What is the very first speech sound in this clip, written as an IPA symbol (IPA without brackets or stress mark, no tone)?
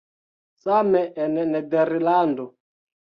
s